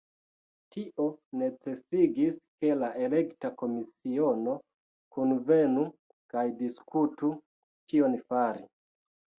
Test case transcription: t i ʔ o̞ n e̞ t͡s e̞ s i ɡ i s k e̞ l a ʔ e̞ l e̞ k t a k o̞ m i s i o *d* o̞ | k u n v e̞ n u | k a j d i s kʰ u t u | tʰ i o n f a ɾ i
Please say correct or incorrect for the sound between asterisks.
incorrect